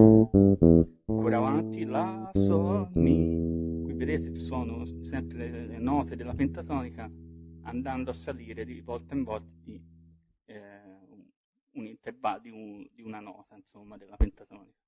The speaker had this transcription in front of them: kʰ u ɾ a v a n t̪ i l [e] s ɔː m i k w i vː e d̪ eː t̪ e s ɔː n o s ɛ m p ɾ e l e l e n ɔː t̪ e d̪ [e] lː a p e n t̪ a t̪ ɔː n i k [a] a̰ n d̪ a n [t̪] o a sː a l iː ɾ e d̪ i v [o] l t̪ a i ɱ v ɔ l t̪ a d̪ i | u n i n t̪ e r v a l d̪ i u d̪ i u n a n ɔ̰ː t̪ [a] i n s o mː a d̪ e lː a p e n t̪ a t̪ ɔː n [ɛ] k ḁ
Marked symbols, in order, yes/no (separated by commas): no, yes, yes, no, no, yes, no